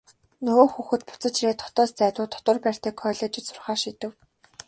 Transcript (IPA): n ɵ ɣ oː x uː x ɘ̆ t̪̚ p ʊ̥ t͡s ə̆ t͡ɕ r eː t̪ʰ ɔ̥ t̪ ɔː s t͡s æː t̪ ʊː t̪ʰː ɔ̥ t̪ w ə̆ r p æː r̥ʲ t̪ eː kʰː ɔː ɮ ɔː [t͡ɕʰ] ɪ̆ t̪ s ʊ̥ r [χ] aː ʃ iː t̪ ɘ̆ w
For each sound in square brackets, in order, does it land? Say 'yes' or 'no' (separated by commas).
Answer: no, yes